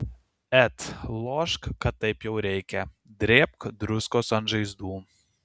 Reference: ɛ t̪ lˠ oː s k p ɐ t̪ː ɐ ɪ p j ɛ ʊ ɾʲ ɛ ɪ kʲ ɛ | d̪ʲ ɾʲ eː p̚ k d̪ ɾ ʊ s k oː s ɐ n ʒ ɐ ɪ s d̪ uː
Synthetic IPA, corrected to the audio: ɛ t̪ lˠ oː ʃ k k ɐ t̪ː ɐ ɪ p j ɛ ʊ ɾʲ ɛ ɪ kʲ ɛ | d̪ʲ ɾʲ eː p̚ k d̪ ɾ ʊ s k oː s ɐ n ʒ ɐ ɪ z d̪ uː

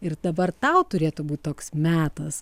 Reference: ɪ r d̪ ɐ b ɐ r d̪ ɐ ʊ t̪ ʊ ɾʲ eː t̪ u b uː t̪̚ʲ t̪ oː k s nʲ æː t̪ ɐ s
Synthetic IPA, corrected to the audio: ɪ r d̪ ɐ b ɐ r t̪ ɐ ʊ t̪ ʊ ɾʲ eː t̪ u b uː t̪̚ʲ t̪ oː k s mʲ æː t̪ ɐ s

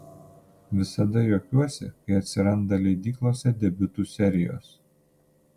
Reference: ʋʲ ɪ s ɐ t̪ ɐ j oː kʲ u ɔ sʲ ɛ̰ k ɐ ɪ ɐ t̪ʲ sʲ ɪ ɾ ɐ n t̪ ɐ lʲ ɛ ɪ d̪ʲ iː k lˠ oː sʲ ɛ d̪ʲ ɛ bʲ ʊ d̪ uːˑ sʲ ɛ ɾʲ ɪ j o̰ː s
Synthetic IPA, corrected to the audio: ʋʲ ɪ s ɐ d̪ ɐ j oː kʲ u ɔ sʲ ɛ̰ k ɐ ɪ ɐ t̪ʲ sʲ ɪ ɾ ɐ n d̪ ɐ lʲ ɛ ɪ d̪ʲ iː k lˠ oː sʲ ɛ d̪ʲ ɛ bʲ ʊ t̪ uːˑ sʲ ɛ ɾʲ ɪ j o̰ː s

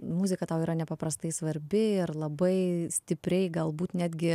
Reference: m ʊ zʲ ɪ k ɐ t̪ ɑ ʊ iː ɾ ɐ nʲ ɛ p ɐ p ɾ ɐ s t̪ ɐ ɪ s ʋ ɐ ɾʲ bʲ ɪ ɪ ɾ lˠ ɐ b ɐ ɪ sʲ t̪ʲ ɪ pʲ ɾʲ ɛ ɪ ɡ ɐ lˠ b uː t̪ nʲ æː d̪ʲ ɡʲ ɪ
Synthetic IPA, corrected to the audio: m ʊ zʲ ɪ k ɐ t̪ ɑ ʊ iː ɾ ɐ nʲ ɛ p ɐ p ɾ ɐ s t̪ ɐ ɪ s ʋ ɐ ɾʲ bʲ ɪ ɪ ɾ lˠ ɐ b ɐ ɪ sʲ t̪ʲ ɪ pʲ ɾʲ ɛ ɪ ɡ ɐ lˠ b uː t̪ nʲ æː d̪ʲ ɡʲ ɪ

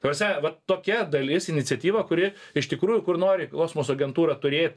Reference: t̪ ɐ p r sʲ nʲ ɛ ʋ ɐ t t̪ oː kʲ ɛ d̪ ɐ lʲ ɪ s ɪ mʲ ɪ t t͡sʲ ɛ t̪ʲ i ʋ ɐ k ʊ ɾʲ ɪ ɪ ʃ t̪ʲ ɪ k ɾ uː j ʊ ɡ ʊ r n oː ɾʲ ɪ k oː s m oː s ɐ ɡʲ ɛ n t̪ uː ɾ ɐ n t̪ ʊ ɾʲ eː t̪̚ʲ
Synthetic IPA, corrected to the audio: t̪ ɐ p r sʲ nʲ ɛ ʋ ɐ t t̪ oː kʲ ɛ d̪ ɐ lʲ ɪ s ɪ nʲ ɪ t t͡sʲ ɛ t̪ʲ iː ʋ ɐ k ʊ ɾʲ ɪ ɪ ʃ t̪ʲ ɪ k ɾ uː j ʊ k ʊ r n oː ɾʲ ɪ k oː s m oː s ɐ ɡʲ ɛ n t̪ uː ɾ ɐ t̪ ʊ ɾʲ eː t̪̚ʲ

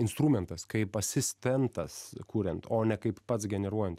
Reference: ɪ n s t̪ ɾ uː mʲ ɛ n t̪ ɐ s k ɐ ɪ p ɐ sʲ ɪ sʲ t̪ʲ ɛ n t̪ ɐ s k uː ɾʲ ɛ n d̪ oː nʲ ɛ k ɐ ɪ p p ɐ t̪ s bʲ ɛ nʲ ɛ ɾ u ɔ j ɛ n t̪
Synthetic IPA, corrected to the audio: ɪ n s t̪ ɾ uː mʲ ɛ n t̪ ɐ s k ɐ ɪ p ɐ sʲ ɪ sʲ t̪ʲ ɛ n t̪ ɐ s k uː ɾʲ ɛ n t̪ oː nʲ ɛ k ɐ ɪ p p ɐ t̪ s ɡʲ ɛ nʲ ɛ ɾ u ɔ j ɛ n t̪

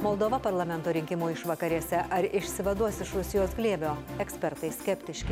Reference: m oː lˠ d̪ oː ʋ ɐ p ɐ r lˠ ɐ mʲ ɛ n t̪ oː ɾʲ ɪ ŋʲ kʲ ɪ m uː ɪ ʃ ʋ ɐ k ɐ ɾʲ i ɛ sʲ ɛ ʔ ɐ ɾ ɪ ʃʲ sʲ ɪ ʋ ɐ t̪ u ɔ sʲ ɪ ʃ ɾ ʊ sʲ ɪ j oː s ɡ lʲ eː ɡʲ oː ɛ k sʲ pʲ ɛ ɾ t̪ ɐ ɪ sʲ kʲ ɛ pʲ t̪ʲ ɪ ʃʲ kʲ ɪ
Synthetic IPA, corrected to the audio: m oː lˠ d̪ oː ʋ ɐ p ɐ ɾ lˠ ɐ mʲ ɛ n t̪ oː ɾʲ ɪ ŋʲ kʲ ɪ m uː ɪ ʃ ʋ ɐ k ɐ ɾʲ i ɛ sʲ ɛ ʔ ɐ ɾ ɪ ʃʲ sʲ ɪ ʋ ɐ d̪ u ɔ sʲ ɪ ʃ ɾ ʊ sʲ ɪ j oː s ɡ lʲ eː bʲ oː ɛ k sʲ pʲ ɛ ɾ t̪ ɐ ɪ sʲ kʲ ɛ pʲ t̪ʲ ɪ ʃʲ kʲ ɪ

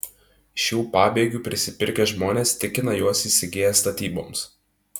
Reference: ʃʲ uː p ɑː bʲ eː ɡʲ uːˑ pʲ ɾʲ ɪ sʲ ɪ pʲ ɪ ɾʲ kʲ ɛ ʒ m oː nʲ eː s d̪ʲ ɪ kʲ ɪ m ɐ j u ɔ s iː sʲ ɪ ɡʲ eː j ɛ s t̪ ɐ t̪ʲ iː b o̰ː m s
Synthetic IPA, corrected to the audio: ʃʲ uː p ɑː bʲ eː ɡʲ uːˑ pʲ ɾʲ ɪ sʲ ɪ pʲ ɪ ɾʲ kʲ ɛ ʒ m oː nʲ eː s t̪ʲ ɪ kʲ ɪ n ɐ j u ɔ s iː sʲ ɪ ɡʲ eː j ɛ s t̪ ɐ t̪ʲ iː b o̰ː m s

